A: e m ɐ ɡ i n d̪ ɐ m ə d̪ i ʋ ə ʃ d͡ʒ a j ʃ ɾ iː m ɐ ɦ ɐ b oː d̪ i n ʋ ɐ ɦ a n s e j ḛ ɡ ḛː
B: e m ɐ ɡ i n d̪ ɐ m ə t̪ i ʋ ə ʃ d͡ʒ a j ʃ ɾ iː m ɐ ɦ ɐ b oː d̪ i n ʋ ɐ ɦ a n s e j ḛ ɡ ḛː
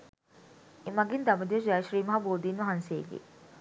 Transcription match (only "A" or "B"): A